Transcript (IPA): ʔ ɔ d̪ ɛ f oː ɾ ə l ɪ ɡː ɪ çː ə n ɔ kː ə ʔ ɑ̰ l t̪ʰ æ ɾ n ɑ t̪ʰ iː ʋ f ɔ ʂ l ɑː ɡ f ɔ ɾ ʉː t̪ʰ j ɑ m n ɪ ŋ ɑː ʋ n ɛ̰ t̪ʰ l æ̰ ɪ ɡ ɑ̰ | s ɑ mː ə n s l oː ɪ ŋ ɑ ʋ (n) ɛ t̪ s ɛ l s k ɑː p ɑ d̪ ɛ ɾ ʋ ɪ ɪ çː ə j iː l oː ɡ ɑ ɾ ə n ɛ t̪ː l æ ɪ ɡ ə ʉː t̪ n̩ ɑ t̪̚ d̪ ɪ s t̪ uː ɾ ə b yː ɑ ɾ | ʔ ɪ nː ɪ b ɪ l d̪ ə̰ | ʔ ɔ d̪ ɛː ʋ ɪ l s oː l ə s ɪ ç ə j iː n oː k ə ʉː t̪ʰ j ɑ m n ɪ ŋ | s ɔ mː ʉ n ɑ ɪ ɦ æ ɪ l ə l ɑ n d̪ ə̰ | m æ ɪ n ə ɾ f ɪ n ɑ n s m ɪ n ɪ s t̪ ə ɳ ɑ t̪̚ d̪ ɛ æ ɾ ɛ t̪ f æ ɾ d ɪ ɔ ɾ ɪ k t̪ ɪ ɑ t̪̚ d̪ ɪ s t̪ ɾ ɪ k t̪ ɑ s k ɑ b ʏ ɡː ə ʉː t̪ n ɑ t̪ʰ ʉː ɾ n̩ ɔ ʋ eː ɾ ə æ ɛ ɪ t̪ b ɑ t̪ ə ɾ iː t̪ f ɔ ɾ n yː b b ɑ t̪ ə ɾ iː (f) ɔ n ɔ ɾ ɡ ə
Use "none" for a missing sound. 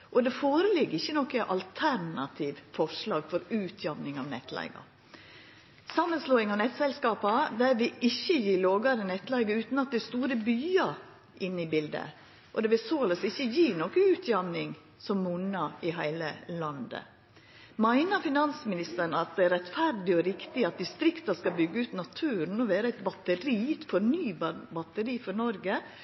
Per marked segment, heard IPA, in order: n, f

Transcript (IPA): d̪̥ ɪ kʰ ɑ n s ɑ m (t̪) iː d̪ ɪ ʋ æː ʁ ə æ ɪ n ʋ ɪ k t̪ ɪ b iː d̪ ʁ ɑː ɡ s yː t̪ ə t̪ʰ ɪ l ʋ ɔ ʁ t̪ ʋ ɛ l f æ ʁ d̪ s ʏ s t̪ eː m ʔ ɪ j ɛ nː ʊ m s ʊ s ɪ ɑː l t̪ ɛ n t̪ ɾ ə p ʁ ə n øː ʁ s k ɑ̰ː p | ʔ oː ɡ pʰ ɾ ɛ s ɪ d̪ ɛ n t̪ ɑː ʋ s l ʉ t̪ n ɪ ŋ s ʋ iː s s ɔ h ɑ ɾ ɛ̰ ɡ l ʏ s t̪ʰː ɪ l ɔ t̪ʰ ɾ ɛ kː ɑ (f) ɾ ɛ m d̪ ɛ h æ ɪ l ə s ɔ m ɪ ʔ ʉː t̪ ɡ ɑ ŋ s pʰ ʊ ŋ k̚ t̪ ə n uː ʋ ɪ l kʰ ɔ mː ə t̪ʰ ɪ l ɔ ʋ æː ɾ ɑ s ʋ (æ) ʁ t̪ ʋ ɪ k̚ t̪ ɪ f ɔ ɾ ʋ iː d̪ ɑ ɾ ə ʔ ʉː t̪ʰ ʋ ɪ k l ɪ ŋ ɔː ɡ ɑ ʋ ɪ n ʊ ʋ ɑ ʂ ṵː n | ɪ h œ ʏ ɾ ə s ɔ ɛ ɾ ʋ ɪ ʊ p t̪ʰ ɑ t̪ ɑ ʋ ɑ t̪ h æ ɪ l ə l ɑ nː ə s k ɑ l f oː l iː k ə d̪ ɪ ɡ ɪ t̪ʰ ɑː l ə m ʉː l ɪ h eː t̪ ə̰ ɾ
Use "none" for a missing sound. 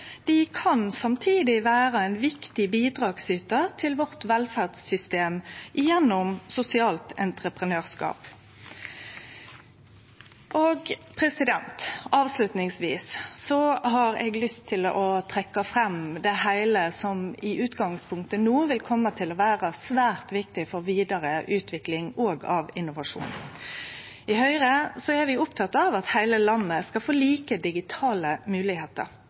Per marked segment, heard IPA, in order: t̪ʰ, f, æː

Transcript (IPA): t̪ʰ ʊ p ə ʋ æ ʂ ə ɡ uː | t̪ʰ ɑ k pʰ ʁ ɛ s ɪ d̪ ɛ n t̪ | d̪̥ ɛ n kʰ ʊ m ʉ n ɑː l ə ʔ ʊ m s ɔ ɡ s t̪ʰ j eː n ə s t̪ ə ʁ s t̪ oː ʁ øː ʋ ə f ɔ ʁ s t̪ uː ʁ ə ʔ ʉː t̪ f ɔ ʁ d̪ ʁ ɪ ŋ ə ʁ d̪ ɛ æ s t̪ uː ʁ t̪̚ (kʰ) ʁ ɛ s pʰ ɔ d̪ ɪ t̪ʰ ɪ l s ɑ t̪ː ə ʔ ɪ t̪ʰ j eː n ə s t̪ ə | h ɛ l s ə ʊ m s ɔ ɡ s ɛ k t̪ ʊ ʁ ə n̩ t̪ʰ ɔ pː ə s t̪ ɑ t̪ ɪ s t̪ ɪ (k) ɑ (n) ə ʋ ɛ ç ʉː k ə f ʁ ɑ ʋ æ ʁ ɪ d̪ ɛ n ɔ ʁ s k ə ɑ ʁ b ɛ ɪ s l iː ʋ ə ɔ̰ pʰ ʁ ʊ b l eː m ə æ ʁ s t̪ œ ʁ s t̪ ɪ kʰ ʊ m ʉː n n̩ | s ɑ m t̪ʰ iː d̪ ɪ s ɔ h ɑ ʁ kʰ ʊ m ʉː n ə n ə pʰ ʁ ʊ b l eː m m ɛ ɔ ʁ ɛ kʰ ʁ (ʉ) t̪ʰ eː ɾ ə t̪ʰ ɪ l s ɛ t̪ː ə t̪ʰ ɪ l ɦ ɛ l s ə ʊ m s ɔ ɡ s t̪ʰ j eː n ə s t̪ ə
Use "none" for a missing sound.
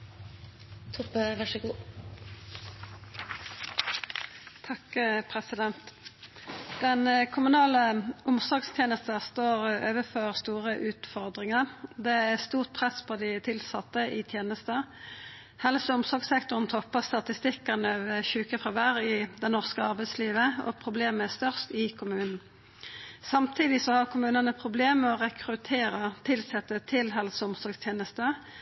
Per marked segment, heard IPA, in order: pʰ, k, n, ʉ

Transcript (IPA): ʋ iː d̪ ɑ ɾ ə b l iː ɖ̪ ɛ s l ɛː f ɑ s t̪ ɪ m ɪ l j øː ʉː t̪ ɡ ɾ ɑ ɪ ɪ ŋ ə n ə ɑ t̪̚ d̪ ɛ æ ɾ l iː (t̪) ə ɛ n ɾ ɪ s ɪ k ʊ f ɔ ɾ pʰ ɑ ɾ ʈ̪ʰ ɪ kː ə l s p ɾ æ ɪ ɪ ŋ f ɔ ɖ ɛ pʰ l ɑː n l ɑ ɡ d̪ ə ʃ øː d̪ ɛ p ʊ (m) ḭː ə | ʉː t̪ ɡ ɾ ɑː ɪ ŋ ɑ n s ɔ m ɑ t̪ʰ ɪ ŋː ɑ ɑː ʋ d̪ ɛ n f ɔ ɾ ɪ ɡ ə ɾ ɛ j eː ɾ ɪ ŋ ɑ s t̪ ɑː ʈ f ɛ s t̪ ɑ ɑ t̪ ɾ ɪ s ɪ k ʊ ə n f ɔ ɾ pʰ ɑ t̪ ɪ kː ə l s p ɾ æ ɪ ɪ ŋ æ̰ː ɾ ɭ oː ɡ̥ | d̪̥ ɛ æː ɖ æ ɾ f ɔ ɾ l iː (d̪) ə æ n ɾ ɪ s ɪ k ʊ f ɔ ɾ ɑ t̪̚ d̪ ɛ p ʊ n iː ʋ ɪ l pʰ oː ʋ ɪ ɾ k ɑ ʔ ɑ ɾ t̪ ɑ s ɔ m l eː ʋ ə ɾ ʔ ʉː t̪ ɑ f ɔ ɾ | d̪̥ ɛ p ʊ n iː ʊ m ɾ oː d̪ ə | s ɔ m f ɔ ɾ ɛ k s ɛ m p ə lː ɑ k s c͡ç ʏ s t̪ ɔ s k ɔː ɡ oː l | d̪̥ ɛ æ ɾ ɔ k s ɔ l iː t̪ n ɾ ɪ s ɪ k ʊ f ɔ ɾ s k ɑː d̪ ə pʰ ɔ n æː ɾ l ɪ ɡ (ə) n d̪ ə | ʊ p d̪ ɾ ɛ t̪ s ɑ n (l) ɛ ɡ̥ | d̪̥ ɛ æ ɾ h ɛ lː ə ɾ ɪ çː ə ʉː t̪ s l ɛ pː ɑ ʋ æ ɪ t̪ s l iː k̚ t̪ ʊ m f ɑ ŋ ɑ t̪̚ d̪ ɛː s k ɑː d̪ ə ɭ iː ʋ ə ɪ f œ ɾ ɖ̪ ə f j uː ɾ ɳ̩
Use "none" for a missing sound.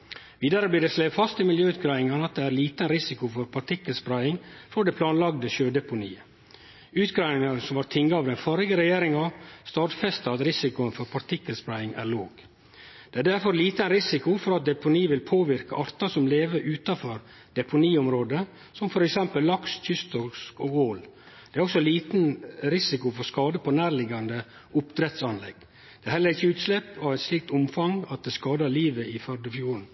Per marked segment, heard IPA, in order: t̪, n, t̪, ɑ, l

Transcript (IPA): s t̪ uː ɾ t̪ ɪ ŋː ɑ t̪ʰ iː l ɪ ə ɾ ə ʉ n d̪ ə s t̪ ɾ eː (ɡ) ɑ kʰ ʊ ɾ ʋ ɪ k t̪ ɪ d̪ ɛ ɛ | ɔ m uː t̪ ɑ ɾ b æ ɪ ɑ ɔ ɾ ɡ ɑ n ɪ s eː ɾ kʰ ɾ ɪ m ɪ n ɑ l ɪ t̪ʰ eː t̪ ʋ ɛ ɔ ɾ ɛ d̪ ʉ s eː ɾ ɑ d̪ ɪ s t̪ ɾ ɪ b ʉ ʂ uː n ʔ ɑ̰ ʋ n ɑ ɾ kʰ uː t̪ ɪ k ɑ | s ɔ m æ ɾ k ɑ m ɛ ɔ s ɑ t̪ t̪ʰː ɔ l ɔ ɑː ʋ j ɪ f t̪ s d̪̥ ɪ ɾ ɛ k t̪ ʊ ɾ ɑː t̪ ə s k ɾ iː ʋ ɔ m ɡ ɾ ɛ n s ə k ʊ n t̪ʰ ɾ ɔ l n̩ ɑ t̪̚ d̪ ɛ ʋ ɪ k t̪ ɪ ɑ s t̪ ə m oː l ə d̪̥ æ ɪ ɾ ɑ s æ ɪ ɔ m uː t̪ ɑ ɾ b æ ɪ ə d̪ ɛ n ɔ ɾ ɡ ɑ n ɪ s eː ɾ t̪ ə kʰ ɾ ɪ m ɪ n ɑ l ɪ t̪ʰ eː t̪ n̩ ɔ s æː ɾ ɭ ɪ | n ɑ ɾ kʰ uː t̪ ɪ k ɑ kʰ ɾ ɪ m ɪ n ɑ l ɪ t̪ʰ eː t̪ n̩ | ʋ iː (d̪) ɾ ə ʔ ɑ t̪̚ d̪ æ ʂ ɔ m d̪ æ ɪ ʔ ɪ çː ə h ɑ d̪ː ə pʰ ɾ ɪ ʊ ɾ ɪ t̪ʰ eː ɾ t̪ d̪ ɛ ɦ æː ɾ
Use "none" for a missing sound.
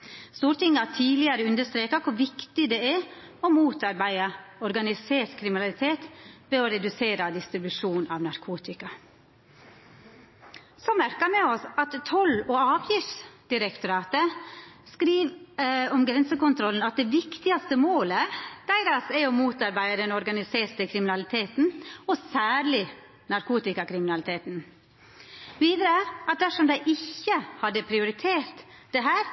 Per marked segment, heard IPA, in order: k, d̪

